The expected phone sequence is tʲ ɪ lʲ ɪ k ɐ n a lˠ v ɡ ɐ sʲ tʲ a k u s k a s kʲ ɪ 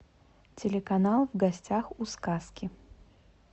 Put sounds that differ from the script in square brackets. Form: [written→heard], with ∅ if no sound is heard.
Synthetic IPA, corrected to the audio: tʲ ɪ lʲ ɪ k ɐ n a lˠ v ɡ ɐ sʲ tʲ a [k→x] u s k a s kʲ ɪ

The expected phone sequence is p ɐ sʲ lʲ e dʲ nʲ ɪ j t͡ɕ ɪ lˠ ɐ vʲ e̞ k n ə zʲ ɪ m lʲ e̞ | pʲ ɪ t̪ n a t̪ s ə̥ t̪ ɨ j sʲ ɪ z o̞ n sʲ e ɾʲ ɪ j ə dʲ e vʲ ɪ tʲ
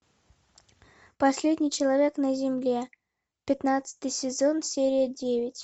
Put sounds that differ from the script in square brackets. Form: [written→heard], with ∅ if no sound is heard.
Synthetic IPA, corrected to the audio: p ɐ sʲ lʲ e dʲ nʲ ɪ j t͡ɕ ɪ lˠ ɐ vʲ e̞ k n ə zʲ ɪ m lʲ e̞ | pʲ ɪ t̪ n a t̪ s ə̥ t̪ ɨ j sʲ ɪ z o̞ n sʲ e ɾʲ ɪ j ə dʲ e vʲ ɪ tʲ

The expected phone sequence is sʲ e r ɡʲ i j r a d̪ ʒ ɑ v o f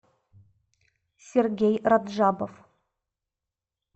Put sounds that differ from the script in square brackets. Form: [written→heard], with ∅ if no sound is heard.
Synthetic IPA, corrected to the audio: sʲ e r ɡʲ [i→e] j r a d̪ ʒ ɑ [v→b] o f

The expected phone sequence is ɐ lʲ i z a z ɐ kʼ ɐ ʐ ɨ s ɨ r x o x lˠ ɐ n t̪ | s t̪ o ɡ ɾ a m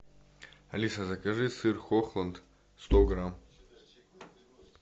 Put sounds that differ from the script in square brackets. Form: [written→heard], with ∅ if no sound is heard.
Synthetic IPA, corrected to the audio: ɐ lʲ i [z→s] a z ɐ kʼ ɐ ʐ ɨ s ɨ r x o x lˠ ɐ n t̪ | s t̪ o ɡ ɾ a m

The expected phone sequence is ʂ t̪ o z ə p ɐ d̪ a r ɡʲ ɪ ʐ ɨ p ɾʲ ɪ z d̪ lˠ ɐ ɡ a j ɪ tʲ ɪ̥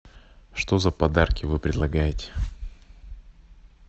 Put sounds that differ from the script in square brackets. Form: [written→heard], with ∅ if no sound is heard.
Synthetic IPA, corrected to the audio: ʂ t̪ o z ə p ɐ d̪ a r [ɡʲ→kʲ] ɪ [ʐ→v] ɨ p ɾʲ ɪ [z→∅] d̪ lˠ ɐ ɡ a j ɪ tʲ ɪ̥

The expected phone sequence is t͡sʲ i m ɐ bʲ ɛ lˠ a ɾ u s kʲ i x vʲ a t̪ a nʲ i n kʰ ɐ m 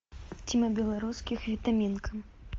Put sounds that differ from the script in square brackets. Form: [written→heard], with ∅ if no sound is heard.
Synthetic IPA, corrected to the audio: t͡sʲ i m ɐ bʲ ɛ lˠ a ɾ u s kʲ i x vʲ [a→i] t̪ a [nʲ→mʲ] i n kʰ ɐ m

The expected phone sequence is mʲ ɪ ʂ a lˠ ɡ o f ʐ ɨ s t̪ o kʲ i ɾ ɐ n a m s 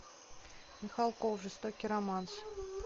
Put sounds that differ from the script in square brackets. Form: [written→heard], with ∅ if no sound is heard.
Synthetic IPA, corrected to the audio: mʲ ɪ [ʂ→x] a lˠ [ɡ→k] o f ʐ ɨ s t̪ o kʲ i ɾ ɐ [n→m] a [m→n] s

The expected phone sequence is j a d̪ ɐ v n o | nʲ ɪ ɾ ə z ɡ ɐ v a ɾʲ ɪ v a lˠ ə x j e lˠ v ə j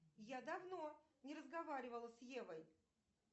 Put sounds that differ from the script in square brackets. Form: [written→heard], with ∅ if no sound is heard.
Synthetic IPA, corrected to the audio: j a d̪ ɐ v n o | nʲ ɪ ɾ ə z ɡ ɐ v a ɾʲ ɪ v [a→ə] lˠ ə [x→s] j e [lˠ→∅] v ə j

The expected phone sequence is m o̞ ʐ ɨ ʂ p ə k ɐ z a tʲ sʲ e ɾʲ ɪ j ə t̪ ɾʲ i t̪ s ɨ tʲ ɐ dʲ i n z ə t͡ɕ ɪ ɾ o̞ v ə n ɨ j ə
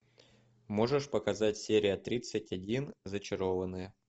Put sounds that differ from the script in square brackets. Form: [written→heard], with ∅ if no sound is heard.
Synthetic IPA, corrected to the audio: m o̞ ʐ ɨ ʂ p ə k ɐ z a tʲ sʲ e ɾʲ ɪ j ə t̪ ɾʲ i t̪ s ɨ tʲ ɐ dʲ i n z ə t͡ɕ ɪ ɾ o̞ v ə n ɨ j ə

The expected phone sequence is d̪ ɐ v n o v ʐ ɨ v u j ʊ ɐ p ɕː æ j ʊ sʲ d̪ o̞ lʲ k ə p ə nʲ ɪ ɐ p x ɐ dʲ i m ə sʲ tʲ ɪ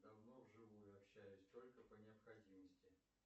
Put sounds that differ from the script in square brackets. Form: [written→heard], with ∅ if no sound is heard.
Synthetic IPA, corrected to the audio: d̪ ɐ v n o v ʐ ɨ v u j ʊ ɐ p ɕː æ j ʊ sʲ [d̪→t̪] o̞ lʲ k ə p ə nʲ ɪ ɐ p x ɐ dʲ i m ə sʲ tʲ ɪ

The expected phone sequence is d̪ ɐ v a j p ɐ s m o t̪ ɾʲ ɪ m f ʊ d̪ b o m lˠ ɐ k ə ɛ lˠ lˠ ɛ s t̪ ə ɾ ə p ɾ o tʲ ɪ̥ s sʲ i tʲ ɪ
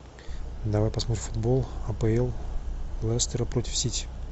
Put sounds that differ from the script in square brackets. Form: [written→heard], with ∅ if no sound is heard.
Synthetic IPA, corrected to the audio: d̪ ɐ v a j p ɐ s m o t̪ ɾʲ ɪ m f ʊ d̪ b o [m→∅] lˠ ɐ [k→p] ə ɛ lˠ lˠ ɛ s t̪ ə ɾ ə p ɾ o tʲ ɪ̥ [s→f] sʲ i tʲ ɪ

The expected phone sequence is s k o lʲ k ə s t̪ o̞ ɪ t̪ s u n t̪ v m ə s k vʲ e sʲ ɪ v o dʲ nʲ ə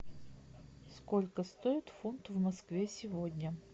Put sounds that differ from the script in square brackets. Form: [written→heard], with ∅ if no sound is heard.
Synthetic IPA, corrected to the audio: s k o lʲ k ə s t̪ o̞ ɪ t̪ [s→f] u n t̪ v m [ə→ɐ] s k vʲ e sʲ ɪ v o dʲ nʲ ə

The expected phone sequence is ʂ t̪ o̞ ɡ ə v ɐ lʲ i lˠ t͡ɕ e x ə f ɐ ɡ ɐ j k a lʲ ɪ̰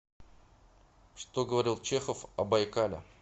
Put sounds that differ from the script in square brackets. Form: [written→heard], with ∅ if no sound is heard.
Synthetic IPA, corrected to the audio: ʂ t̪ o̞ ɡ ə v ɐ [lʲ→ɾʲ] i lˠ t͡ɕ e x ə f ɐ [ɡ→b] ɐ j k a lʲ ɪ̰

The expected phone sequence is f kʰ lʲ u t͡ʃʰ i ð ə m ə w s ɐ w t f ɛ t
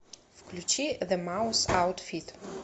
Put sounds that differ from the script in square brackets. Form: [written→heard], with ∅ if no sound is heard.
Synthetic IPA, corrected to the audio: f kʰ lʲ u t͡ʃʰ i ð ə m [ə→a] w s [ɐ→a] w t f [ɛ→i] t

